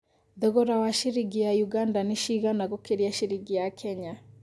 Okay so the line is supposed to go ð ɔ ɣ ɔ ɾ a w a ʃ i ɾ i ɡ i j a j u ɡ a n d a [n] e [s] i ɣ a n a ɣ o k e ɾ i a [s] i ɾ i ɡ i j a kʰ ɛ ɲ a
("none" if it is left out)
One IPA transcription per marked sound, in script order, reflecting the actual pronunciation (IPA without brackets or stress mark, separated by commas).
n, ʃ, ʃ